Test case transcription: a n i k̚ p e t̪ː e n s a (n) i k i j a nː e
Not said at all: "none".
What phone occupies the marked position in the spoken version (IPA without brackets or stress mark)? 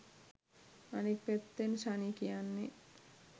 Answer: n